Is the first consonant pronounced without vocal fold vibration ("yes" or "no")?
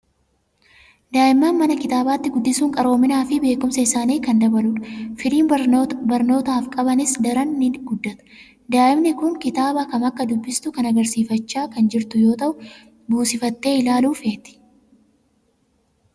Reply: no